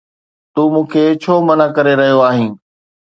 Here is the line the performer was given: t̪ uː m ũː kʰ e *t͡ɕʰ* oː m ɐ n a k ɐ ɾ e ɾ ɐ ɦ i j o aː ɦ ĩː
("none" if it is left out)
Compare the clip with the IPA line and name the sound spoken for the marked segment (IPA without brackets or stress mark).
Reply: t͡ɕʰ